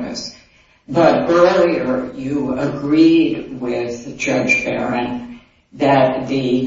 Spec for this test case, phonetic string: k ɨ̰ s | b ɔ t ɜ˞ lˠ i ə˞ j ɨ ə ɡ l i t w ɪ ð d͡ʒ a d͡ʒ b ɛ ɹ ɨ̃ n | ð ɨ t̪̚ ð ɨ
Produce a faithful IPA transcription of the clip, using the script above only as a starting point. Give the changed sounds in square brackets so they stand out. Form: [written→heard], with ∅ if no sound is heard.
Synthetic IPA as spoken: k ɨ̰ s | b [ɔ→ʌ] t ɜ˞ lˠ i ə˞ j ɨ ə ɡ [l→ɹ] i [t→d] w ɪ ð d͡ʒ [a→ʌ] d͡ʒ b ɛ ɹ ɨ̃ n | ð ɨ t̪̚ ð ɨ

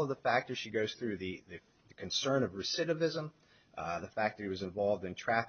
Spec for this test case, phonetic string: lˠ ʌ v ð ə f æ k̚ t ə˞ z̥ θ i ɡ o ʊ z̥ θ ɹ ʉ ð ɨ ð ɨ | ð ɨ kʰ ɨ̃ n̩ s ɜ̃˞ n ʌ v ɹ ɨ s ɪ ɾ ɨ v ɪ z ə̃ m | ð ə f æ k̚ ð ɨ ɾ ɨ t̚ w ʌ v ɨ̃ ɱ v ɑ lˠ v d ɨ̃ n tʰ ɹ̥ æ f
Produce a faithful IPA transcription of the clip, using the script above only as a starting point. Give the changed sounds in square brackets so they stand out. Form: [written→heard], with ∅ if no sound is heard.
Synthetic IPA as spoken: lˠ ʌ v ð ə f æ k̚ t ə˞ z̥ [θ→ʃ] i ɡ o ʊ z̥ θ ɹ ʉ ð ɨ ð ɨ | ð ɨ kʰ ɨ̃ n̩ s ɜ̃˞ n ʌ v ɹ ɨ s ɪ ɾ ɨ v ɪ z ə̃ m | ð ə f æ k̚ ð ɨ ɾ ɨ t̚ w ʌ [v→z] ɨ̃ ɱ v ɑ lˠ v d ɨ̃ n tʰ ɹ̥ æ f

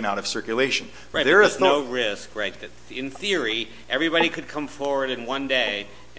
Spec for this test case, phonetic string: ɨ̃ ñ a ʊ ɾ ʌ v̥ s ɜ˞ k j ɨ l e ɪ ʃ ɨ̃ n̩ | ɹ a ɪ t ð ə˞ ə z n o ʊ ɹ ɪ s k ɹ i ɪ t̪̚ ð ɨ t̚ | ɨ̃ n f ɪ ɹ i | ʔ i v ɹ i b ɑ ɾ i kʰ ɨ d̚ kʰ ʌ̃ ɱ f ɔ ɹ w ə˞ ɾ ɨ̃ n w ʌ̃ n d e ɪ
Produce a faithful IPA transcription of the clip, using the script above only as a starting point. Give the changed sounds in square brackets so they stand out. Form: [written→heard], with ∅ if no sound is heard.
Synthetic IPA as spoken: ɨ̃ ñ a ʊ ɾ ʌ v̥ s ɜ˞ k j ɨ l e ɪ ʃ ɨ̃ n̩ | ɹ a ɪ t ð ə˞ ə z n o ʊ ɹ ɪ s k ɹ [i→a] ɪ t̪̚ ð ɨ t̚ | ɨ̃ n [f→θ] ɪ ɹ i | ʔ [i→ɛ] v ɹ i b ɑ ɾ i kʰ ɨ d̚ kʰ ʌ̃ ɱ f ɔ ɹ w ə˞ ɾ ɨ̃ n w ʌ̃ n d e ɪ

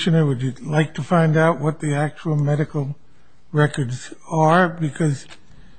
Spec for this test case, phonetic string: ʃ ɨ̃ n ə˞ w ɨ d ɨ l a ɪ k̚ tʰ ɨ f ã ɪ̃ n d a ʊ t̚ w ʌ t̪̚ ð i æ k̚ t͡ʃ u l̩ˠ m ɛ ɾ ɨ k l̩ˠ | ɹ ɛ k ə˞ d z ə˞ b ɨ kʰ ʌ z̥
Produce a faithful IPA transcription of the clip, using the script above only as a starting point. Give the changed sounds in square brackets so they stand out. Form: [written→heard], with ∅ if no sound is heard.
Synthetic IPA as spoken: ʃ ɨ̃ n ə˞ w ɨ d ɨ l a ɪ k̚ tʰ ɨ f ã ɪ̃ n d a ʊ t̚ w ʌ t̪̚ ð i æ k̚ t͡ʃ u l̩ˠ m ɛ ɾ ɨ k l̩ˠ | ɹ ɛ k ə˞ d z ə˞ b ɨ kʰ ʌ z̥

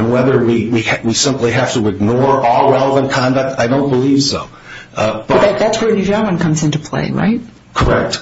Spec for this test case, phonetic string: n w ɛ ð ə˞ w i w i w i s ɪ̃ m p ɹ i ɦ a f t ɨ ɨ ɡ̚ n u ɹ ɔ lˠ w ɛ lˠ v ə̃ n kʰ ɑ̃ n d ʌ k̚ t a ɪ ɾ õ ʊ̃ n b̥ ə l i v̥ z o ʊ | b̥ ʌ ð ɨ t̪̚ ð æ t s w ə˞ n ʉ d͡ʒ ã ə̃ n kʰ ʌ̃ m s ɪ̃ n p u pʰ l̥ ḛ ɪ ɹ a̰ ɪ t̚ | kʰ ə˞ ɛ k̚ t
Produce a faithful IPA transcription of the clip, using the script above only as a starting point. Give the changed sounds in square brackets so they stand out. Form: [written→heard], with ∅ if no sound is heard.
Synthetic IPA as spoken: n w ɛ ð ə˞ w i w i w i s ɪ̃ m p [ɹ→l] i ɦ [a→æ] f t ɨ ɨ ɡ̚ n [u→ɔ] ɹ ɔ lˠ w ɛ lˠ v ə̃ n kʰ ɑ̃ n d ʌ k̚ t a ɪ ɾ õ ʊ̃ n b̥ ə l i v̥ [z→s] o ʊ | b̥ ʌ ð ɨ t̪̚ ð æ t s w ə˞ n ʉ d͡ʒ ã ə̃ n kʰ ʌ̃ m [s→z] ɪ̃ n [p→t] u pʰ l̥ ḛ ɪ ɹ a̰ ɪ t̚ | kʰ ə˞ ɛ k̚ t

